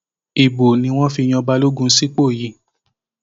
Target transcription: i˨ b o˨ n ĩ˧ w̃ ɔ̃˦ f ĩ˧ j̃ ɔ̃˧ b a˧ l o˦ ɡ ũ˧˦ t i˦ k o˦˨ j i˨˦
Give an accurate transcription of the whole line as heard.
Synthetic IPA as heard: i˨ b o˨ n ĩ˧ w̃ ɔ̃˦ f i˧ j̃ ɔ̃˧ b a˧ l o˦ ɡ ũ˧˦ s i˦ k͡p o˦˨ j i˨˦